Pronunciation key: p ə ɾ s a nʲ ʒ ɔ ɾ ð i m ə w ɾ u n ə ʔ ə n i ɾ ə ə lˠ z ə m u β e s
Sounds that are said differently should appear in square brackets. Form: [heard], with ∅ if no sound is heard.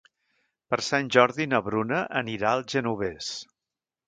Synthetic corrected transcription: p ə ɾ s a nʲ ʒ ɔ ɾ ð i [n] ə [β] ɾ u n ə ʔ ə n i ɾ [a] ə lˠ [ʒ] ə [n] u β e s